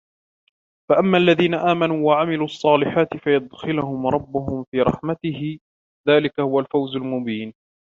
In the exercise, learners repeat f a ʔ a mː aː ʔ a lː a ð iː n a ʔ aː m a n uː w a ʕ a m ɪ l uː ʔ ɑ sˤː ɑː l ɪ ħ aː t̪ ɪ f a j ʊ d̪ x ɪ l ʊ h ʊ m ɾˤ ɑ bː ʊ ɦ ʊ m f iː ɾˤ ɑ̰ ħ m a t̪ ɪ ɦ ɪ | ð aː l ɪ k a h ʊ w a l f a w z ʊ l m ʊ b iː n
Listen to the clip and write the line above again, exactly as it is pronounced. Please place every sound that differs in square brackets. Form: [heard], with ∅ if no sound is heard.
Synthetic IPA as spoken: f a ʔ a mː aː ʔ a lː a ð iː n a ʔ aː m a n uː w a ʕ a m ɪ l uː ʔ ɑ sˤː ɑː l ɪ ħ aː t̪ ɪ f a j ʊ d̪ x ɪ l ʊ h ʊ m ɾˤ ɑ bː ʊ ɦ ʊ m f iː ɾˤ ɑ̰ ħ m a t̪ ɪ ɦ ɪ | ð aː l ɪ k a h ʊ w a l f a w z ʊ l m ʊ b iː n

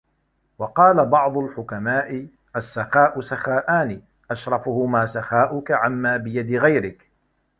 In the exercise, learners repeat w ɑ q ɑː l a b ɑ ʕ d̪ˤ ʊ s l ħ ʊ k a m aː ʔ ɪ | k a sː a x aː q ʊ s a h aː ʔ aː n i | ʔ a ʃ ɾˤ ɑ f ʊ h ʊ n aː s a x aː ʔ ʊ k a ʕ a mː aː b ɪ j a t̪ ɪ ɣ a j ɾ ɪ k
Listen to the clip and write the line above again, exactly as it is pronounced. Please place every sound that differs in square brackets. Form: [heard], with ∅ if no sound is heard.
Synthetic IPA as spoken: w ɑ q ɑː l a b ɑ ʕ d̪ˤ ʊ [∅] l ħ ʊ k a m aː ʔ ɪ | [ʔ] a sː a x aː [ʔ] ʊ s a [x] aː ʔ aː n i | ʔ a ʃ ɾˤ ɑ f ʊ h ʊ [m] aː s a x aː ʔ ʊ k a ʕ a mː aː b ɪ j a [d̪] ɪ ɣ a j ɾ ɪ k

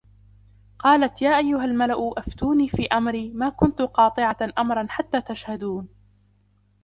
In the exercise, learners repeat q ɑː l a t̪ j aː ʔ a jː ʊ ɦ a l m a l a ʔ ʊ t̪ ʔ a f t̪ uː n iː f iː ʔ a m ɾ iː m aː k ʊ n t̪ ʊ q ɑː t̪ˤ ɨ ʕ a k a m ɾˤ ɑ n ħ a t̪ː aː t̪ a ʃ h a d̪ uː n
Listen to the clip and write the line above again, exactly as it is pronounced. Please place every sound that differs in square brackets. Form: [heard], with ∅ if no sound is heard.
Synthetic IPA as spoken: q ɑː l a t̪ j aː ʔ a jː ʊ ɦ a l m a l a ʔ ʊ [∅] ʔ a f t̪ uː n iː f iː ʔ a m ɾ iː m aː k ʊ n t̪ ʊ q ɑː t̪ˤ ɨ ʕ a [ʔ] a m ɾˤ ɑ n ħ a t̪ː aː t̪ a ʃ h a d̪ uː n

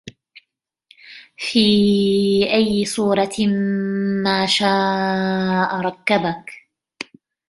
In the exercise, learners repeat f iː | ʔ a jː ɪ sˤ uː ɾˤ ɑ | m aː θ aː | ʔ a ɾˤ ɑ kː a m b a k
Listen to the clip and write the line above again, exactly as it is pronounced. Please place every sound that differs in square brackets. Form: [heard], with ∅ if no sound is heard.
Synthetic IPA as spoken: f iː | ʔ a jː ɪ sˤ uː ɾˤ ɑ | m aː [ʃ] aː | ʔ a ɾˤ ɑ kː a [∅] b a k

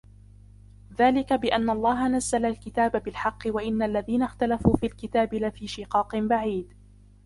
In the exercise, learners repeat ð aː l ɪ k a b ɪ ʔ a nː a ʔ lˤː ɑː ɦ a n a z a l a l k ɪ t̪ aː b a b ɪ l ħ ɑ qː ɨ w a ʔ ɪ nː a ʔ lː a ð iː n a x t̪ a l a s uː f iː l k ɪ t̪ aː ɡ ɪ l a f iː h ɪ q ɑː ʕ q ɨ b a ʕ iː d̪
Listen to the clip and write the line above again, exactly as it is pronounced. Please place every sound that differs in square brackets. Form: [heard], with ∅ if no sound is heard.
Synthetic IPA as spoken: ð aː l ɪ k a b ɪ ʔ a nː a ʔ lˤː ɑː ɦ a n a [zː] a l a l k ɪ t̪ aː b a b ɪ l ħ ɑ qː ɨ w a ʔ ɪ nː a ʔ lː a ð iː n a x t̪ a l a [f] uː f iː l k ɪ t̪ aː [b] ɪ l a f iː [ʃ] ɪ q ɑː [∅] q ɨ b a ʕ iː d̪

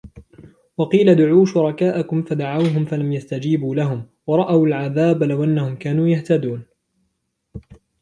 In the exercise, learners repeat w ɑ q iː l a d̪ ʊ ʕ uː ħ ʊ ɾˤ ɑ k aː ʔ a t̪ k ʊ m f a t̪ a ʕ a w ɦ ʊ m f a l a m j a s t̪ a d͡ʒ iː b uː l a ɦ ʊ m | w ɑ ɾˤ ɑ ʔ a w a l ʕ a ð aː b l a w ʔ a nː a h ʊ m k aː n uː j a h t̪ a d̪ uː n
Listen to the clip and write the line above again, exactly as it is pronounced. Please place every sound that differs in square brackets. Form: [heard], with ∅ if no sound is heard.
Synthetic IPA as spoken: w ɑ q iː l a d̪ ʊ ʕ uː [ʃ] ʊ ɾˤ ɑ k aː ʔ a [∅] k ʊ m f a [d̪] a ʕ a w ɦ ʊ m f a l a m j a s t̪ a d͡ʒ iː b uː l a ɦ ʊ m | w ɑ ɾˤ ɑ ʔ a w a l ʕ a ð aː b l a w ʔ a nː a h ʊ m k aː n uː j a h t̪ a d̪ uː n

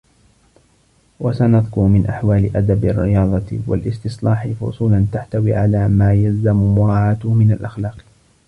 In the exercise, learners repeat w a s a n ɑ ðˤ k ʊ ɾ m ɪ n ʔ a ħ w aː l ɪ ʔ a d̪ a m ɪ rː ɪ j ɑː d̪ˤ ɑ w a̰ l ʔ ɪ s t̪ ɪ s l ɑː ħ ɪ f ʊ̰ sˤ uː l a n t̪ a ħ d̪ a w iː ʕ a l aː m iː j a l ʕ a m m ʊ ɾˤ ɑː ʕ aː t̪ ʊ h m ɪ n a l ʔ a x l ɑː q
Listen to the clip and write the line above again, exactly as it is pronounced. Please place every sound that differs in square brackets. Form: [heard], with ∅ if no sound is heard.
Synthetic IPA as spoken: w a s a n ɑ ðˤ k ʊ ɾ m ɪ n ʔ a ħ w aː l ɪ ʔ a d̪ a [b] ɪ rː ɪ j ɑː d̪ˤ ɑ w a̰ l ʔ ɪ s t̪ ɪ s l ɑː ħ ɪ f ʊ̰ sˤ uː l a n t̪ a ħ [t̪] a w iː ʕ a l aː m [aː] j a l [z] a m m ʊ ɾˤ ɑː ʕ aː t̪ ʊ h m ɪ n a l ʔ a x l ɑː q

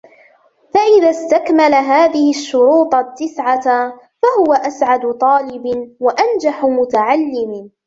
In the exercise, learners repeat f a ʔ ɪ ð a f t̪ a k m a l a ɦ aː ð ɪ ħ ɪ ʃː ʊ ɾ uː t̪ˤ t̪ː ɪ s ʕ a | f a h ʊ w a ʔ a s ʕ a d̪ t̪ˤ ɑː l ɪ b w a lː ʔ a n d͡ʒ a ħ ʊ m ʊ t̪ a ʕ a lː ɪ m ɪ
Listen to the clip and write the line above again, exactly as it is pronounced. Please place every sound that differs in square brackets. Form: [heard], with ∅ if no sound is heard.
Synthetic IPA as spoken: f a ʔ ɪ ð a [s] t̪ a k m a l a ɦ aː ð ɪ [h] ɪ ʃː ʊ ɾ uː t̪ˤ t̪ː ɪ s ʕ a | f a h ʊ w a ʔ a s ʕ a d̪ t̪ˤ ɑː l ɪ b w a [∅] ʔ a n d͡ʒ a ħ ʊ m ʊ t̪ a ʕ a lː ɪ m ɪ

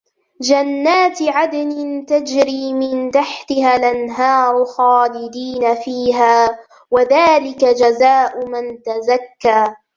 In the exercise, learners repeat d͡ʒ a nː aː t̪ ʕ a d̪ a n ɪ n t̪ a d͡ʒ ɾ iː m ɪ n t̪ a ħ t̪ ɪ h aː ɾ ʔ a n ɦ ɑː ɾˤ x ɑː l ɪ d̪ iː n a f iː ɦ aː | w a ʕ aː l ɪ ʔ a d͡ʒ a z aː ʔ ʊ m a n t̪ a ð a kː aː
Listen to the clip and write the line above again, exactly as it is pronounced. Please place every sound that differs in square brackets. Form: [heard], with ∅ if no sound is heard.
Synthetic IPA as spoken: d͡ʒ a nː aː t̪ ʕ a d̪ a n ɪ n t̪ a d͡ʒ ɾ iː m ɪ n t̪ a ħ t̪ ɪ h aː [l] ʔ a n ɦ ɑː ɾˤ x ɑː l ɪ d̪ iː n a f iː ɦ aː | w a [ð] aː l ɪ [k] a d͡ʒ a z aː ʔ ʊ m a n t̪ a [z] a kː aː

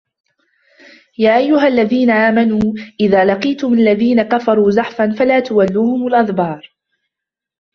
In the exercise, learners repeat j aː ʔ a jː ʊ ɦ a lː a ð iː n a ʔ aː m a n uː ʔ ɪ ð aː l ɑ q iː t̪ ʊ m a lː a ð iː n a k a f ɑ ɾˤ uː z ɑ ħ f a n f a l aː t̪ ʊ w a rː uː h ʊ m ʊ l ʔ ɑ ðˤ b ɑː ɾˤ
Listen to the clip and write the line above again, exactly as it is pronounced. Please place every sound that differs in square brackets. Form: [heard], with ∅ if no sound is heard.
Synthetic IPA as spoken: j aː ʔ a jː ʊ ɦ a lː a ð iː n a ʔ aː m a n uː ʔ ɪ ð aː l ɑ q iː t̪ ʊ m a lː a ð iː n a k a f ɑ ɾˤ uː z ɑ ħ f a n f a l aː t̪ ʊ w a [lː] uː h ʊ m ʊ l ʔ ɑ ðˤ b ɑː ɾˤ

